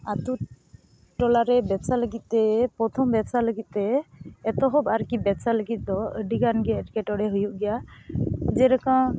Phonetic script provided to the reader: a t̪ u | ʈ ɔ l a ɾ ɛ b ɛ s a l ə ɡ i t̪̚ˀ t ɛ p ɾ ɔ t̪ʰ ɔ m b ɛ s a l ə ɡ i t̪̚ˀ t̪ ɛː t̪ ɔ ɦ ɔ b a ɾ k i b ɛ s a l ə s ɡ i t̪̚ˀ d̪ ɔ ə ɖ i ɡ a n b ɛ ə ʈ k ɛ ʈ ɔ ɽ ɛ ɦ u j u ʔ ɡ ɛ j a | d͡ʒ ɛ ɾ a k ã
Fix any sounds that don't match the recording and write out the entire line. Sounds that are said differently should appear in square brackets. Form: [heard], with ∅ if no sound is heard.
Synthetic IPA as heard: a t̪ u | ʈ ɔ l a ɾ ɛ b ɛ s a l ə ɡ i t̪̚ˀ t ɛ p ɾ ɔ t̪ʰ ɔ m b ɛ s a l ə ɡ i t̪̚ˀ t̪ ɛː t̪ ɔ ɦ ɔ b a ɾ k i b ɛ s a l ə [∅] ɡ i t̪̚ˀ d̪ ɔ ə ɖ i ɡ a n [ɡ] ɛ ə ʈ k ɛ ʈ ɔ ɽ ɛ ɦ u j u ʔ ɡ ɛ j a | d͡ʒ ɛ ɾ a k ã